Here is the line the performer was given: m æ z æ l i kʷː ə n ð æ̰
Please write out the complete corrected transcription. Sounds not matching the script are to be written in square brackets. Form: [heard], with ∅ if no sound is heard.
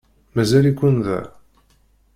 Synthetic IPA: m æ z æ l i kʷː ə n ð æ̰